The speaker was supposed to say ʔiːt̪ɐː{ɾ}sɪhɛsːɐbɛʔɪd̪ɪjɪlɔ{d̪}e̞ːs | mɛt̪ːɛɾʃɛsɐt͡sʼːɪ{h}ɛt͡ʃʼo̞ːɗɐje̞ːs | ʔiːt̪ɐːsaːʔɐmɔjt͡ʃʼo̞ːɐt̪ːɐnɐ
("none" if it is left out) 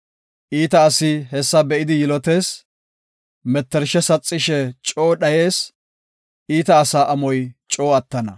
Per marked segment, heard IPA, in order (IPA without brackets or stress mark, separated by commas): none, t̪, ʃ